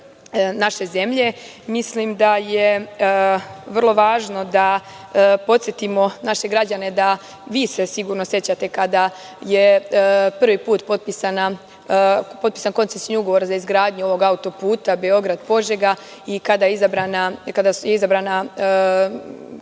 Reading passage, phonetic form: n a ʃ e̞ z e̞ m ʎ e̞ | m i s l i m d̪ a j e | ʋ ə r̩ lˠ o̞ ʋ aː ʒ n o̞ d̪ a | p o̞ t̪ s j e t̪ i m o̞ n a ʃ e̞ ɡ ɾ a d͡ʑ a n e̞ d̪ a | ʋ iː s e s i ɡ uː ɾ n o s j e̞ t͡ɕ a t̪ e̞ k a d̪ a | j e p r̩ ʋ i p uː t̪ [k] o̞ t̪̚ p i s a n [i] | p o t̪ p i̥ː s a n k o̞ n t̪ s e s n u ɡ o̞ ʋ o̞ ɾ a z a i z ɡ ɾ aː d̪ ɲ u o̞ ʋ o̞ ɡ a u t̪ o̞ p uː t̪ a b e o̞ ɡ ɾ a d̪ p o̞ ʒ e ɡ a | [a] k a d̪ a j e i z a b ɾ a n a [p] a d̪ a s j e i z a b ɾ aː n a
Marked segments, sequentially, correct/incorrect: incorrect: p, incorrect: a, incorrect: i, incorrect: k

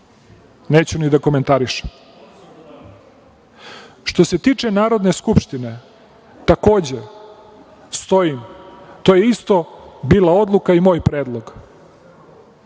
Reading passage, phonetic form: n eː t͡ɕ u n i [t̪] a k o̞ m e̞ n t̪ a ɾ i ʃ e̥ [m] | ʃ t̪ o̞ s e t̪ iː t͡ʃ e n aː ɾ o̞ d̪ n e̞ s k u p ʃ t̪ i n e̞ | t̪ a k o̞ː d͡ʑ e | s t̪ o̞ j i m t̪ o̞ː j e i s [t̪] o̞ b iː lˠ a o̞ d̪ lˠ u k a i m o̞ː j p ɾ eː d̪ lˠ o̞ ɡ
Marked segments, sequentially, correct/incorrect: incorrect: d̪, correct, correct

